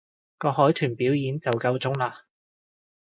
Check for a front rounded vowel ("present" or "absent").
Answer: present